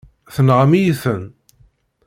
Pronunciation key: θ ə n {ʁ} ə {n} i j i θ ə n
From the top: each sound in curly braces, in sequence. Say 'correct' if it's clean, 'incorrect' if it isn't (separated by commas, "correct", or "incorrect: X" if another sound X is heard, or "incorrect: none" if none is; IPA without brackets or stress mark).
correct, incorrect: m